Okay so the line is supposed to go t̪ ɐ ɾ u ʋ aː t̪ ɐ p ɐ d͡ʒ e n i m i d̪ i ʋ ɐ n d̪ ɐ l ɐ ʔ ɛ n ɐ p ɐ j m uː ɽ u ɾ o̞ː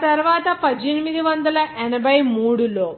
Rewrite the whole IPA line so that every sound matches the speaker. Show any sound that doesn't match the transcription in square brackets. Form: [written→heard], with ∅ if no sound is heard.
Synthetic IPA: t̪ ɐ ɾ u ʋ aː t̪ ɐ p ɐ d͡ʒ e n i m i d̪ i ʋ ɐ n d̪ ɐ l ɐ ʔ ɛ n ɐ [p→b] ɐ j m uː ɽ u [ɾ→l] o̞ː

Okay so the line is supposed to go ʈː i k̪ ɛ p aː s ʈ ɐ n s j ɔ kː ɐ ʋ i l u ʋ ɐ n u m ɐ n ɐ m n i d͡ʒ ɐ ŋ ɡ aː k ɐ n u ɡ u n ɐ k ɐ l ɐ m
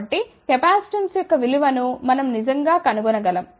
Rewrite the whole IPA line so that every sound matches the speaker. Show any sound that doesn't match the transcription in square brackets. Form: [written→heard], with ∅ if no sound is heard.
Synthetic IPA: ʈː i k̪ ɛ p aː s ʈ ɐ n s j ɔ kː ɐ ʋ i l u ʋ ɐ n u m ɐ n ɐ m n i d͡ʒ ɐ ŋ ɡ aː k ɐ n u ɡ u n ɐ [k→ɡ] ɐ l ɐ m

